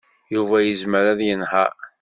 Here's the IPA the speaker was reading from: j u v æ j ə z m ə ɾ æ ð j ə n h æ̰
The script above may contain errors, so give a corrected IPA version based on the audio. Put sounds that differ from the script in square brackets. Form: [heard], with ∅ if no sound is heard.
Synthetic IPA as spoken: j u v æ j ə z m ə ɾ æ ð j ə n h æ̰